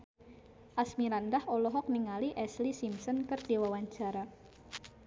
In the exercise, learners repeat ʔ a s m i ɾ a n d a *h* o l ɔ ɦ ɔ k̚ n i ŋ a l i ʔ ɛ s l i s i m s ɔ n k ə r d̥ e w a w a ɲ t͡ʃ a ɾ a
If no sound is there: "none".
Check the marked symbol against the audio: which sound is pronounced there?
h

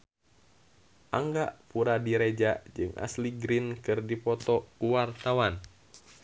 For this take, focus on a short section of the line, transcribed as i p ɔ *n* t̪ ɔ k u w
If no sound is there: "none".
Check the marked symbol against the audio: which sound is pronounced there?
none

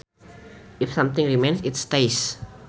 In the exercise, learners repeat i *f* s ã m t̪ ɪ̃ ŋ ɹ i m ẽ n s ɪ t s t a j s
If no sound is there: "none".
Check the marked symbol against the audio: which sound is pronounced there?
f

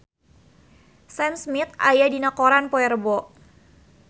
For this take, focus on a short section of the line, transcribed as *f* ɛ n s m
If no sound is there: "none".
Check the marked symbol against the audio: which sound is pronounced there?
s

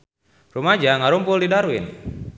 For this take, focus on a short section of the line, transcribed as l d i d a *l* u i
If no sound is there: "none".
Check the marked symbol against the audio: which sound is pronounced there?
ɾ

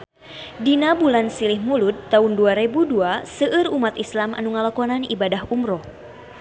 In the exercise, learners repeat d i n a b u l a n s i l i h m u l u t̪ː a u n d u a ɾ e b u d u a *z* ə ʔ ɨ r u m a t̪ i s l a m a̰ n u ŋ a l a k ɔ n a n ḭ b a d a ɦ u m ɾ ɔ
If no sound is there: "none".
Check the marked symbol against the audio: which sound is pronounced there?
s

